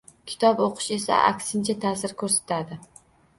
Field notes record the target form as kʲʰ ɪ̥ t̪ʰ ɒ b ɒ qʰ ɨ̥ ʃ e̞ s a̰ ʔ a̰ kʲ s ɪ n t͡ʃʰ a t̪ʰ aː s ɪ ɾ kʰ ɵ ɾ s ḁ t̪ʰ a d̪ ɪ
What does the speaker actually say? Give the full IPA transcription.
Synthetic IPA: kʲʰ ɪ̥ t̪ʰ ɒ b o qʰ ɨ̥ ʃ e̞ s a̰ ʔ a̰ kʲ s ɪ n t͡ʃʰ a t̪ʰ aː s ɪ ɾ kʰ ɵ ɾ s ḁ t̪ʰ a d̪ ɪ